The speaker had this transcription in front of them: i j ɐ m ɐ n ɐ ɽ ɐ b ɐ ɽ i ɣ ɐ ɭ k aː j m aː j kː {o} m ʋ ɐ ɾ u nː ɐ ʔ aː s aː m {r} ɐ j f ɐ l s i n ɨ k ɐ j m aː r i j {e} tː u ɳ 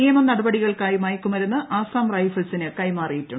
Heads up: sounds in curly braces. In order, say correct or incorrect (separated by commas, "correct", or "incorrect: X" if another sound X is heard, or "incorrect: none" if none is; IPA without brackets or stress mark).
incorrect: u, correct, incorrect: i